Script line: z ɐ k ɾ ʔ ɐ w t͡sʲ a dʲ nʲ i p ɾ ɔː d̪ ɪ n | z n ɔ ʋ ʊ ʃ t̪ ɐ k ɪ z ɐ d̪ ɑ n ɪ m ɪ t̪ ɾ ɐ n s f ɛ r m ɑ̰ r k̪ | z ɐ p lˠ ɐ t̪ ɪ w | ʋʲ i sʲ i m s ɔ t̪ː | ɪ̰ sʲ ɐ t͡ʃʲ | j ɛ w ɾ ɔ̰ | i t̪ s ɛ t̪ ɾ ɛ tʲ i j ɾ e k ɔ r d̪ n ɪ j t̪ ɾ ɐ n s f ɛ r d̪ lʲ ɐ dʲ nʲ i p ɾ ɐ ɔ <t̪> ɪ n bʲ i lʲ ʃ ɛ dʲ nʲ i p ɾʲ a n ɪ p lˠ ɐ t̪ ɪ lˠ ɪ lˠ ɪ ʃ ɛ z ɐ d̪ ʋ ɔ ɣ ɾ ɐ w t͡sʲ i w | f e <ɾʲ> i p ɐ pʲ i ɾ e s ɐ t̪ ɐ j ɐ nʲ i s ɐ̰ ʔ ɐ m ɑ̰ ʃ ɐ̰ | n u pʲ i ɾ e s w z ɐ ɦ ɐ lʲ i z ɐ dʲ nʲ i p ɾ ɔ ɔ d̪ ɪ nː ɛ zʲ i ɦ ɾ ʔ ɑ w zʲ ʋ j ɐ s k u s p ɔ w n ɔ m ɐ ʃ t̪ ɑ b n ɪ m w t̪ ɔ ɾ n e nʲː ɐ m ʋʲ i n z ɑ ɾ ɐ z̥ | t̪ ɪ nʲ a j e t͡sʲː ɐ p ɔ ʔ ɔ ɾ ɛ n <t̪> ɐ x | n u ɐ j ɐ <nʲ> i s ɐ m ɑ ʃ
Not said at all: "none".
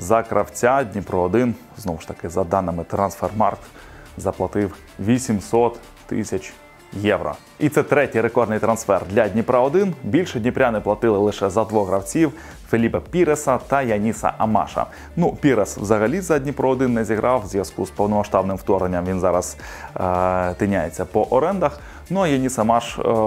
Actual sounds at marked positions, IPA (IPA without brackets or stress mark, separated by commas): d̪, lʲ, d̪, nʲ